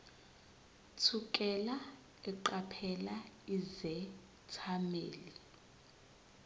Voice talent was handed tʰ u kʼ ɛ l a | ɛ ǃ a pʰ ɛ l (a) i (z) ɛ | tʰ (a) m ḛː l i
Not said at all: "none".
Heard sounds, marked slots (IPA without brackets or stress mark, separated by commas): a, z, a